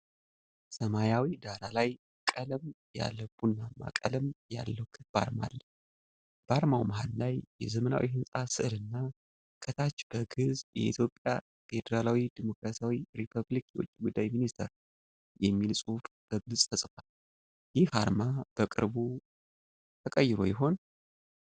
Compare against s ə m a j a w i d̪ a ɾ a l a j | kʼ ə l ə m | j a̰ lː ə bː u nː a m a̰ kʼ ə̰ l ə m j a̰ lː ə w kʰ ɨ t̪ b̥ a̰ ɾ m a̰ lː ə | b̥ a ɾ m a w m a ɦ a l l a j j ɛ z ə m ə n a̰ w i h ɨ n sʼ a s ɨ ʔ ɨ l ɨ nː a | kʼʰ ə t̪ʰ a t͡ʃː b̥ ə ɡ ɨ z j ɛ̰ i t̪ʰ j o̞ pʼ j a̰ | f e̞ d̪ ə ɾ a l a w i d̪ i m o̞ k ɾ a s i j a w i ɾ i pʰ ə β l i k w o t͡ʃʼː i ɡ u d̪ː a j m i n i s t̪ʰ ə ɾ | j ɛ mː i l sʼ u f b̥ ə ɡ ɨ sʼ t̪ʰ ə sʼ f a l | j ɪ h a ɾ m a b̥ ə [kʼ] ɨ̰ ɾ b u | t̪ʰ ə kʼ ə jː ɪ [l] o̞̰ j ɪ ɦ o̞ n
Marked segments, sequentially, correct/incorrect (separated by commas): correct, incorrect